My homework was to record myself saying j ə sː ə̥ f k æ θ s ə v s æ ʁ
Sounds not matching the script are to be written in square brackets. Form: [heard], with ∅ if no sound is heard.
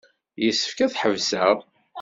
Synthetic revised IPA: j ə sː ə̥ f k æ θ [ħ] ə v s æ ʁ